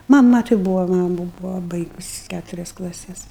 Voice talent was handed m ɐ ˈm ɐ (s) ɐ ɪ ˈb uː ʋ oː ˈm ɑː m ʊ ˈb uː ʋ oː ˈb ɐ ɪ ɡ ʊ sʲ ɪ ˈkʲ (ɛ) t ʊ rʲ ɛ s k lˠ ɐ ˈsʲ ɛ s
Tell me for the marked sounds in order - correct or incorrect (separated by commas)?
incorrect, incorrect